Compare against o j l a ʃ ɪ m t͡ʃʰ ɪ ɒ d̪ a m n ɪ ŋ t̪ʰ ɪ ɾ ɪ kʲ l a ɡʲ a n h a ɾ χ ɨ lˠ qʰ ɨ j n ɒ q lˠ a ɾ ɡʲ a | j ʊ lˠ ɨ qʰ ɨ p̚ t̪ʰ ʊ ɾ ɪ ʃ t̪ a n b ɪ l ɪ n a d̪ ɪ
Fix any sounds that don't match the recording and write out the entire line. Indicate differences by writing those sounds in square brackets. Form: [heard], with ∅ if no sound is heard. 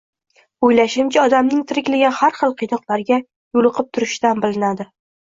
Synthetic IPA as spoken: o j l a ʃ ɪ m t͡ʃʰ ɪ ɒ d̪ a m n ɪ ŋ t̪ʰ ɪ ɾ ɪ kʲ l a ɡʲ a n h a ɾ χ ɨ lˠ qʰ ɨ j n ɒ q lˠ a ɾ ɡʲ a | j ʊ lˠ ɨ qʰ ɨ p̚ t̪ʰ ʊ ɾ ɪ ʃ t̪ a n b ɪ l ɪ n a d̪ ɪ